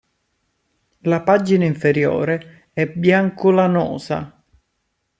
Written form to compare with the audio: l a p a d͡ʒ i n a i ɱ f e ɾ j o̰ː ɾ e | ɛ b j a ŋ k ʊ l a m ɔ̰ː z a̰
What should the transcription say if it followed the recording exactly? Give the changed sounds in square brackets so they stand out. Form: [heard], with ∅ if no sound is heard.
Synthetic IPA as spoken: l a p a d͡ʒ i n a i ɱ f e ɾ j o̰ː ɾ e | ɛ b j a ŋ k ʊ l a [n] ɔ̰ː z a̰